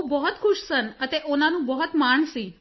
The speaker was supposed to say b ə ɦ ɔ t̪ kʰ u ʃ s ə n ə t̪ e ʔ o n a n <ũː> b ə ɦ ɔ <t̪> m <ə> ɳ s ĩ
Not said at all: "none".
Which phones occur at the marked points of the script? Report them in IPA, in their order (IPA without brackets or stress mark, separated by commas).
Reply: ũ, t̪, a